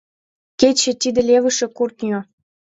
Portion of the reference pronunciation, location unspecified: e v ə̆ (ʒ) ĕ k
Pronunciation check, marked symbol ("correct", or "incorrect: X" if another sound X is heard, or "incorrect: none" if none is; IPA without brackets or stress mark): incorrect: ʃ